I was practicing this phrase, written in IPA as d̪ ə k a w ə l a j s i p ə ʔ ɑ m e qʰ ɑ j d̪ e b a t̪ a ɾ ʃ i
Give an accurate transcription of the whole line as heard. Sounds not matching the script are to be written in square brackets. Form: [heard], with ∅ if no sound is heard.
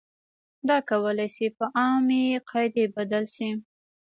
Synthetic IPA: d̪ [ɑ] k a w ə l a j s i p ə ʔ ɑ m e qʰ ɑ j d̪ e b a [d̪] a [l] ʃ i